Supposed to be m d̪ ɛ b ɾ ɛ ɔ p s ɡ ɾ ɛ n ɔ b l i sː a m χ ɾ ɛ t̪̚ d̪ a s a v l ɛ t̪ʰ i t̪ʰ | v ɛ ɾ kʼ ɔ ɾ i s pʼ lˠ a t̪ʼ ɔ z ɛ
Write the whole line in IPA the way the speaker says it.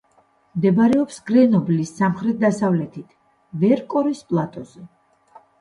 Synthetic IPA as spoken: m d̪ ɛ b ɾ ɛ ɔ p s ɡ ɾ ɛ n ɔ b l i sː a m χ ɾ ɛ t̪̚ d̪ a s a v l ɛ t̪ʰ i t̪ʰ | v ɛ ɾ kʼ ɔ ɾ i s pʼ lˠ a t̪ʼ ɔ z ɛ